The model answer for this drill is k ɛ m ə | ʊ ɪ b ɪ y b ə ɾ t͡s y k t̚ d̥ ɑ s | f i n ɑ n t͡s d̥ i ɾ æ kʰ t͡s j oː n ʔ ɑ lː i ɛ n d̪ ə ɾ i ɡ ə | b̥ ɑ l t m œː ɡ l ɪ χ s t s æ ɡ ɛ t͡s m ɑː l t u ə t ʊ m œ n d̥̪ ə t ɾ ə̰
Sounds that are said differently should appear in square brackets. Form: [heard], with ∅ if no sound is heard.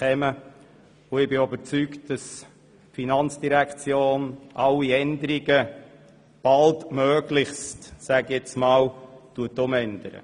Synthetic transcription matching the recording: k ɛ m ə | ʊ ɪ b ɪ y b ə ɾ t͡s y k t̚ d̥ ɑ s | f i n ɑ n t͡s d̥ i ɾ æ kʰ t͡s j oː n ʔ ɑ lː i ɛ n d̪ ə ɾ i ɡ ə | b̥ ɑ l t m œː ɡ l ɪ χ s t s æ ɡ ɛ t͡s m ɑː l t u ə t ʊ m [ɛ] n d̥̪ ə [∅] ɾ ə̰